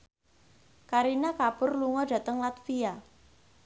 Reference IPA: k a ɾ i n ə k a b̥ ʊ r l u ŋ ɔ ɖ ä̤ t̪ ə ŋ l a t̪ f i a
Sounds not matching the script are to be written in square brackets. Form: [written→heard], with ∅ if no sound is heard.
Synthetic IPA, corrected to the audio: k a ɾ i n [ə→a] k a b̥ ʊ r l u ŋ ɔ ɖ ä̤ t̪ ə ŋ l a t̪ f i a